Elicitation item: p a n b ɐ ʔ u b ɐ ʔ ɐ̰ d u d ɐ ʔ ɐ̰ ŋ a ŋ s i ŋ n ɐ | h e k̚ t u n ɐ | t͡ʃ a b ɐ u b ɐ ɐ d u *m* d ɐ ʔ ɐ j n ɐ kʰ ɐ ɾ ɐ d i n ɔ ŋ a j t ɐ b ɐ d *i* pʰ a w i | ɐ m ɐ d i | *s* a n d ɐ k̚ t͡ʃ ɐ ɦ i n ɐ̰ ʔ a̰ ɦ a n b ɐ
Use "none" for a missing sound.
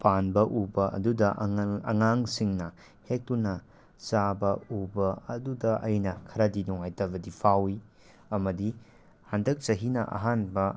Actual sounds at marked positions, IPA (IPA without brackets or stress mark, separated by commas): none, i, h